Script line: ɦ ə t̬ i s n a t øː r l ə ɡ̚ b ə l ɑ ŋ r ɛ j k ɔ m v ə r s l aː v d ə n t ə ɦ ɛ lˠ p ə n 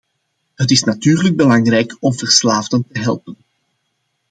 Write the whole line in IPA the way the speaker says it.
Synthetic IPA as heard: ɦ ə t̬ ɪ s n a t yː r l ə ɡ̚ b ə l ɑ ŋ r ɛ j k ɔ m v ə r s l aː v d ə n t ə ɦ ɛ lˠ p ə n